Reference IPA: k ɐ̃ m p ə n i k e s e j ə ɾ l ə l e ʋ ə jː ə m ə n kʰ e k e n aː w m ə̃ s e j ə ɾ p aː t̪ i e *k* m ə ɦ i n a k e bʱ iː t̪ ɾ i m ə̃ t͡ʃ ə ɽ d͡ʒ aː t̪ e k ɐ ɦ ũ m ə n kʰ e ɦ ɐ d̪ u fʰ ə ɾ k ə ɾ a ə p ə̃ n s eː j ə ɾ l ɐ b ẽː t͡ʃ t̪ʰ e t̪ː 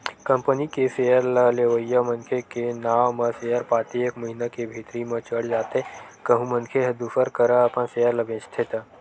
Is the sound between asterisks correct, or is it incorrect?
correct